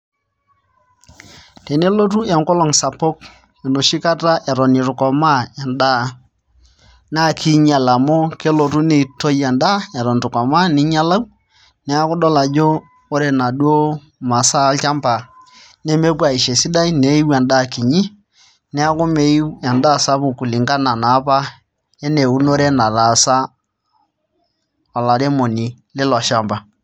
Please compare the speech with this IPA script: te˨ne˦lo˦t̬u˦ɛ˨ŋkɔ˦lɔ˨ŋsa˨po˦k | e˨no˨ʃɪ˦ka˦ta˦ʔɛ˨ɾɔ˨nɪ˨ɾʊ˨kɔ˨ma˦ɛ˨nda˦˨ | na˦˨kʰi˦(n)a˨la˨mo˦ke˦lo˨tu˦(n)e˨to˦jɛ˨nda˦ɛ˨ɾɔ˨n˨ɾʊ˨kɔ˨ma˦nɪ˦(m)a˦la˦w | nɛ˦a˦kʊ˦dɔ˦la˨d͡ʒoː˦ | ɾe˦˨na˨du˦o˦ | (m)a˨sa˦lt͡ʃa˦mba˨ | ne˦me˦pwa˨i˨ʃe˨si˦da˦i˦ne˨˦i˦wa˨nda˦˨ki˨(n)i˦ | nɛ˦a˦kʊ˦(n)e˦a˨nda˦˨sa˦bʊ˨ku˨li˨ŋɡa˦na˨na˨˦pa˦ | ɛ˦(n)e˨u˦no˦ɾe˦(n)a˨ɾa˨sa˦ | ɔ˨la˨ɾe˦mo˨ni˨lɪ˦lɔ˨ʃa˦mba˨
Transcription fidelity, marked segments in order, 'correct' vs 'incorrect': incorrect, correct, incorrect, correct, incorrect, incorrect, correct, correct

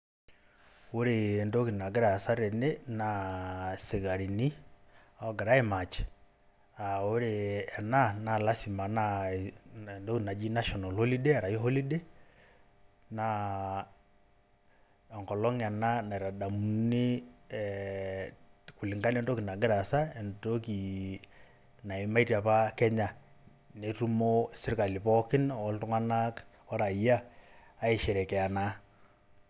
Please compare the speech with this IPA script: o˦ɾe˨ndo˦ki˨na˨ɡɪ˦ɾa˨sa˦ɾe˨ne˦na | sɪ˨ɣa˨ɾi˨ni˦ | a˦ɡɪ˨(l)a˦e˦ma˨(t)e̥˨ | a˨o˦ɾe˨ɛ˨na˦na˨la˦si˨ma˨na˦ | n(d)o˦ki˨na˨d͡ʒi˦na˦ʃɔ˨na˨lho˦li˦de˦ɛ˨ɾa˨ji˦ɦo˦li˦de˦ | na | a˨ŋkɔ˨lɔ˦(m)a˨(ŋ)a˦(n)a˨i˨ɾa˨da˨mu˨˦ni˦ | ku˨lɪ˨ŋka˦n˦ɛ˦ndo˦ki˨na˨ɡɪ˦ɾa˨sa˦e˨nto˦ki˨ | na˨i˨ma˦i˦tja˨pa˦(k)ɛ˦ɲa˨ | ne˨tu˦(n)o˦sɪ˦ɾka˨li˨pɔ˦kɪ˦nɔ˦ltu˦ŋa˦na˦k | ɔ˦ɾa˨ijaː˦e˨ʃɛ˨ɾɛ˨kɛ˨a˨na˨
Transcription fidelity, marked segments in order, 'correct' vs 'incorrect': incorrect, incorrect, correct, incorrect, incorrect, correct, correct, incorrect

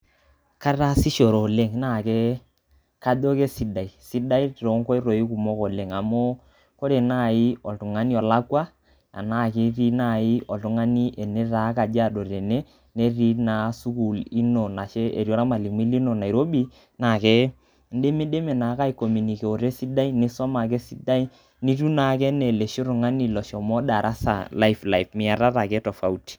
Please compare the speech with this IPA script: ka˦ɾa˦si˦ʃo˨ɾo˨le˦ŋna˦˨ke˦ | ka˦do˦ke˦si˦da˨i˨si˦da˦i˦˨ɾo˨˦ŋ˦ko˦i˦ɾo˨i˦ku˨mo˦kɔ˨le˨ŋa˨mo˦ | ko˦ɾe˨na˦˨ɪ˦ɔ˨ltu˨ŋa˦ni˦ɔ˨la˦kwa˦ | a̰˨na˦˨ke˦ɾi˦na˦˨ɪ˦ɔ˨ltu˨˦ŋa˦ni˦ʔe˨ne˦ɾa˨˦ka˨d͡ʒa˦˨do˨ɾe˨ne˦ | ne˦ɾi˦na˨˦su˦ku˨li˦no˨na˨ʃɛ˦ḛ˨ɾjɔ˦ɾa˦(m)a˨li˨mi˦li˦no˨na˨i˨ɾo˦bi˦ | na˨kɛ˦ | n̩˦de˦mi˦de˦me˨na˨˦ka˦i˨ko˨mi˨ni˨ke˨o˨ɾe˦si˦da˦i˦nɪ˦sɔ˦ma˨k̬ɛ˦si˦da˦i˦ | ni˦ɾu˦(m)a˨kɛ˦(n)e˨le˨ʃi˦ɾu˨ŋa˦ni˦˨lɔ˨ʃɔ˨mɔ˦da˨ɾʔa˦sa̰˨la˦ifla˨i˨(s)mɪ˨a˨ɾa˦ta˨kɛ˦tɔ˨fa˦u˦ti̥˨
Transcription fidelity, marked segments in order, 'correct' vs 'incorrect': correct, incorrect, correct, incorrect

